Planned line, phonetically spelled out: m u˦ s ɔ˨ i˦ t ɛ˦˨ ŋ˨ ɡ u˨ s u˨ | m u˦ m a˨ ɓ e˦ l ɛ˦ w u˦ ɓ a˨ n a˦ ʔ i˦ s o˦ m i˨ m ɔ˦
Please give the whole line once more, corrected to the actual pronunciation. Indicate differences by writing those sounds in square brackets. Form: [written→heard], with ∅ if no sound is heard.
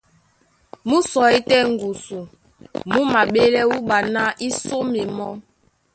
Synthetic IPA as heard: m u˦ s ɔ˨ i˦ t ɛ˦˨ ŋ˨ ɡ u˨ s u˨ | m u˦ m a˨ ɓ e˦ l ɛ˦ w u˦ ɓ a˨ n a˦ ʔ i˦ s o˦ m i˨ m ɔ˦